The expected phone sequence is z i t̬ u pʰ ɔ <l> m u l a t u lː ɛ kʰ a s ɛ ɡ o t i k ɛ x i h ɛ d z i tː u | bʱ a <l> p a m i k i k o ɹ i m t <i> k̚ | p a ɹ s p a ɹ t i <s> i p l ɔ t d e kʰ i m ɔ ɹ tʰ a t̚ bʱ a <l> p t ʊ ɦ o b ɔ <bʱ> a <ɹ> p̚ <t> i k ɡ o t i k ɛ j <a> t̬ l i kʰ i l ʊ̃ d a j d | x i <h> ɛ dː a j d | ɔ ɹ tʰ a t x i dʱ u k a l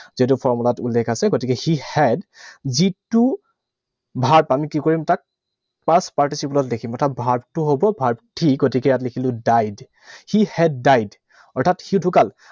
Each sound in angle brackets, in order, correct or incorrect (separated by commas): incorrect, incorrect, incorrect, correct, incorrect, correct, correct, incorrect, correct, correct